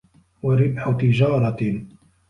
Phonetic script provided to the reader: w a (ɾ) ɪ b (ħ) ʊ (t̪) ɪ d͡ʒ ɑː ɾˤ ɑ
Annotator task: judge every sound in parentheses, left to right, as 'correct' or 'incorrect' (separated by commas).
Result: correct, correct, correct